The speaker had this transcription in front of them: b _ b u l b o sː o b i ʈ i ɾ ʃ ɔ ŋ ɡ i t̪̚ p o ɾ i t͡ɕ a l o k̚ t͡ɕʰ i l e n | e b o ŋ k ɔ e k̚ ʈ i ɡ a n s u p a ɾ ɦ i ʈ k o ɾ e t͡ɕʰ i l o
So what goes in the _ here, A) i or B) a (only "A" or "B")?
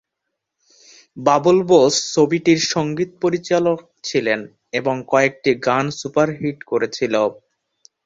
B